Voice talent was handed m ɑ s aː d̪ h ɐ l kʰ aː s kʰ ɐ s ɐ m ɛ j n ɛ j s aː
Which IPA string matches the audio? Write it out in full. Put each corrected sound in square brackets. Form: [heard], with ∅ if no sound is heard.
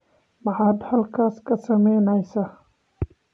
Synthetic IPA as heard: m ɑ [ħ] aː d̪ h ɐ l kʰ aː s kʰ ɐ s ɐ m ɛ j n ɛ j s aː